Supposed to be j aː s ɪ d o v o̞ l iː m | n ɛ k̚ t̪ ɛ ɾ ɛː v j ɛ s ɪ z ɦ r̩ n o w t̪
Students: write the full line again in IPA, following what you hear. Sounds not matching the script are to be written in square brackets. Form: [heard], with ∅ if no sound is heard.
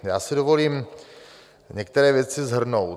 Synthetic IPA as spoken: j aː s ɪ d o v o̞ l iː m | [ɲ] ɛ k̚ t̪ ɛ ɾ ɛː v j ɛ [t͡s] ɪ z ɦ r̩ n o w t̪